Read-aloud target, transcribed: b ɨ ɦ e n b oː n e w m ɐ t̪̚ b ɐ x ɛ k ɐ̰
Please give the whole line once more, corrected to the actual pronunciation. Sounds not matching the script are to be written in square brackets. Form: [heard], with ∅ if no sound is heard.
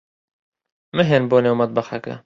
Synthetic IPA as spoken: [m] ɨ ɦ e n b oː n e w m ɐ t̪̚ b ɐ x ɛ k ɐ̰